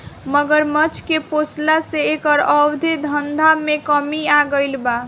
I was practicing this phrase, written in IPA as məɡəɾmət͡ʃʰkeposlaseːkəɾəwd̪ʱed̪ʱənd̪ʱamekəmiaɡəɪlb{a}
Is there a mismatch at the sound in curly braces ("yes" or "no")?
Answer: no